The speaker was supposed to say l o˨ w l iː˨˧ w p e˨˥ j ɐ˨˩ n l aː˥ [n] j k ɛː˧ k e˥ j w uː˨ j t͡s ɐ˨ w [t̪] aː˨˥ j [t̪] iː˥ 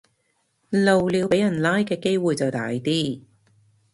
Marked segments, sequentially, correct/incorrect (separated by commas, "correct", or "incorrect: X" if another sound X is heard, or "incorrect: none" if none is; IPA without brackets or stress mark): incorrect: none, correct, correct